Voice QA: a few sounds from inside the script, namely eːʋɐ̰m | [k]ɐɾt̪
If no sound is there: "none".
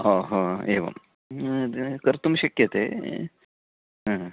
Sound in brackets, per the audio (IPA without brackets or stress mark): k